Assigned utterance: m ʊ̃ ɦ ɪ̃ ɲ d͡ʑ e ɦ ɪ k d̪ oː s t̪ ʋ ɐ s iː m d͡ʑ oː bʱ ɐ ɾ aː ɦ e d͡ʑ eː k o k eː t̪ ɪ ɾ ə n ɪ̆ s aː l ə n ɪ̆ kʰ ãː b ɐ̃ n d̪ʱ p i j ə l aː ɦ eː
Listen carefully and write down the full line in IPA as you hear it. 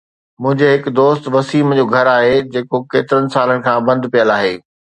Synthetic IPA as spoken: m ʊ̃ ɦ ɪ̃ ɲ d͡ʑ e ɦ ɪ k d̪ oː s t̪ ʋ ɐ s iː m d͡ʑ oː ɡʱ ɐ ɾ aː ɦ e d͡ʑ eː k o k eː t̪ ɪ ɾ ə n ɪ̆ s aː l ə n ɪ̆ kʰ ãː b ɐ̃ n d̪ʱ p i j ə l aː ɦ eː